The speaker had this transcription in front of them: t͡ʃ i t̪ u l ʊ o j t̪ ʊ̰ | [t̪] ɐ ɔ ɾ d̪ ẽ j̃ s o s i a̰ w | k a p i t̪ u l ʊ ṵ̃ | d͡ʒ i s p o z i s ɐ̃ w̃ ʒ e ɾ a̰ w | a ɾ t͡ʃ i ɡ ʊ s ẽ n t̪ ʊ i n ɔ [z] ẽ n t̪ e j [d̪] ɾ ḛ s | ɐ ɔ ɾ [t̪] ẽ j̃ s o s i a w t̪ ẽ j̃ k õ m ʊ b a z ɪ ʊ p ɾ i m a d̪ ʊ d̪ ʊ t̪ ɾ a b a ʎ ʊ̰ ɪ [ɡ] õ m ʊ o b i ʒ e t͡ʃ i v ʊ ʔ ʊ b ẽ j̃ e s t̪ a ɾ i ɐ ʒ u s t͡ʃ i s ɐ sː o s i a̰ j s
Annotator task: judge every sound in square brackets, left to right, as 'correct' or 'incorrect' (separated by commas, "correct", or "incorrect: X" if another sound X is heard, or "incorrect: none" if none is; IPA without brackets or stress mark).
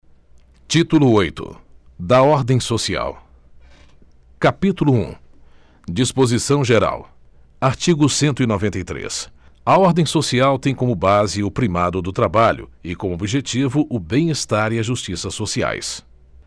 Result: incorrect: d̪, incorrect: v, incorrect: t̪, incorrect: d̪, incorrect: k